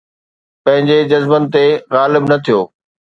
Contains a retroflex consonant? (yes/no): no